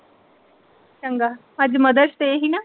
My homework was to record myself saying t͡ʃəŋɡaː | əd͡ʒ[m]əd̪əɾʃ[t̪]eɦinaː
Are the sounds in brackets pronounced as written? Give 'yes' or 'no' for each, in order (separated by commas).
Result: yes, yes